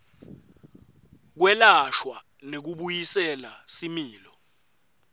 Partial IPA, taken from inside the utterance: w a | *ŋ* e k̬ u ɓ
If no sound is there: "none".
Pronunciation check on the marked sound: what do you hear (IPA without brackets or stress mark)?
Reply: n